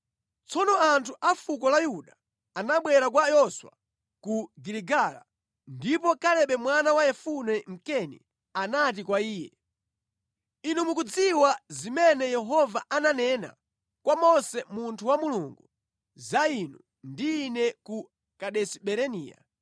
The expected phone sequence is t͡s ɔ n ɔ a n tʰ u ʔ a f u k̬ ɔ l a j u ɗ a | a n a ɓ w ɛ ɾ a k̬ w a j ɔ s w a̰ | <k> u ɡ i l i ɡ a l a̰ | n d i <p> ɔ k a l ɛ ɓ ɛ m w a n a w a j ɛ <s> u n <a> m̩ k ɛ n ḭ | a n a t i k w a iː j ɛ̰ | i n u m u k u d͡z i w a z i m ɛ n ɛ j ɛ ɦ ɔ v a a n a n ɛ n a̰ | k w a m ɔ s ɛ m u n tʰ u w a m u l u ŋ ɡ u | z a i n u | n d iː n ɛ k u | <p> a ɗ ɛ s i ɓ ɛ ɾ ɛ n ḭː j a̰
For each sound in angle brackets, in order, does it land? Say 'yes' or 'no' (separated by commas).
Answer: yes, yes, no, no, no